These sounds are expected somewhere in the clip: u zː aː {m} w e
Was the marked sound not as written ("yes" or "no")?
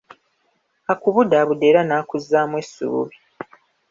no